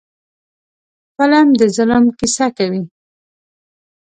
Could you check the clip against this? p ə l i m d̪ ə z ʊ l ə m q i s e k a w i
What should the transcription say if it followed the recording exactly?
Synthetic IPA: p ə l a m d̪ ə z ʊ l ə m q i s a k a w i